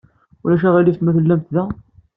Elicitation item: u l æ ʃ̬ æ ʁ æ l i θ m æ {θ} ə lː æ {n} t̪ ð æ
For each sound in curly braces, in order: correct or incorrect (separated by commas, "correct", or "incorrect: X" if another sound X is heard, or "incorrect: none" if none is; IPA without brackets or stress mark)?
correct, incorrect: m